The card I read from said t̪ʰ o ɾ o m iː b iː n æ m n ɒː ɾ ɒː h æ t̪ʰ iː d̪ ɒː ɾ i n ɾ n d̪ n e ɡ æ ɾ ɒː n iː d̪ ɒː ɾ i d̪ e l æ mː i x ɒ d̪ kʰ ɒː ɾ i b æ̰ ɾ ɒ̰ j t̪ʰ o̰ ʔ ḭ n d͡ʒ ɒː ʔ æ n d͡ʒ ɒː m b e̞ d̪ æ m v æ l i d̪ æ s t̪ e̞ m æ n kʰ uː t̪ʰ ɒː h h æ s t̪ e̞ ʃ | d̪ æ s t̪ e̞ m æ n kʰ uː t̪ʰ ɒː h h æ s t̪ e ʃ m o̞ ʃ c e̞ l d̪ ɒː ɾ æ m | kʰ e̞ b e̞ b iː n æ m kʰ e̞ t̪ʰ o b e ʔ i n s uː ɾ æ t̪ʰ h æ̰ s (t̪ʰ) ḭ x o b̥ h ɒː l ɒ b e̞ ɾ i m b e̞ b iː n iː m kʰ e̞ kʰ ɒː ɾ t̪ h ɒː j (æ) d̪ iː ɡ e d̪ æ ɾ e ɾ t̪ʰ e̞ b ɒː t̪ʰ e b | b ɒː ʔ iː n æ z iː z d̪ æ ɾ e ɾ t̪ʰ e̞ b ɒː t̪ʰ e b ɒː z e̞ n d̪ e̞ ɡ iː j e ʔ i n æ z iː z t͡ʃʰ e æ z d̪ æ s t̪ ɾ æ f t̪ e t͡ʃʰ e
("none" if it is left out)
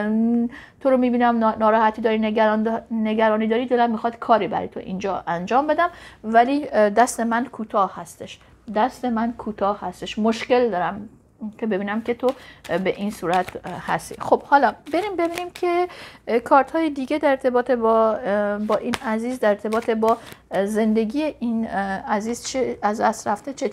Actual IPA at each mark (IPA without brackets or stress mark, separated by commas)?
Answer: t̪, e